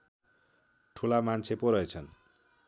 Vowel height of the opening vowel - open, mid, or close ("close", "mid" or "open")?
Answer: close